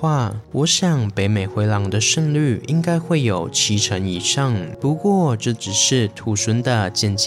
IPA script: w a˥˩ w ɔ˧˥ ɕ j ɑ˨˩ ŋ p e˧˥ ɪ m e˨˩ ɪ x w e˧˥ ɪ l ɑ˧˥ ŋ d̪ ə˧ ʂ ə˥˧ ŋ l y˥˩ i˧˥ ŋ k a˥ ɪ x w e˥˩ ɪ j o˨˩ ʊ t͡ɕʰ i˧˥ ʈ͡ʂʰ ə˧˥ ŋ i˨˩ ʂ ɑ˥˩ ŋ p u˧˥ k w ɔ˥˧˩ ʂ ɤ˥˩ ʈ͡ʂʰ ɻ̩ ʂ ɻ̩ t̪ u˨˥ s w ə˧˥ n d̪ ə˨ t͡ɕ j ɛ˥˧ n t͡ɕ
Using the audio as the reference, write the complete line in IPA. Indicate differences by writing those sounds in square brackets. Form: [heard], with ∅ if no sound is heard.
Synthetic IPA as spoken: w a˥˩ w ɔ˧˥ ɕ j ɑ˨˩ ŋ p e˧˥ ɪ m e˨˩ ɪ x w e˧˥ ɪ l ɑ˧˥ ŋ d̪ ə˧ ʂ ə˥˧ ŋ l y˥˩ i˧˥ ŋ k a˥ ɪ x w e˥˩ ɪ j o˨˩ ʊ t͡ɕʰ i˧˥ ʈ͡ʂʰ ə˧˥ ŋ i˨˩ ʂ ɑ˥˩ ŋ p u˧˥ k w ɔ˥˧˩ [ʈ͡ʂ] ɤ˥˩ [ʈ͡ʂ] ɻ̩ ʂ ɻ̩ [t̪ʰ] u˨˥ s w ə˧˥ n d̪ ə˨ t͡ɕ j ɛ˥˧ n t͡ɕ